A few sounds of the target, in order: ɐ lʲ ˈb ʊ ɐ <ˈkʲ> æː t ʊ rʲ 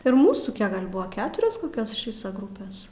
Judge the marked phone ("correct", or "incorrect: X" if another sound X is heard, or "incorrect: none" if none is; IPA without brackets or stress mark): correct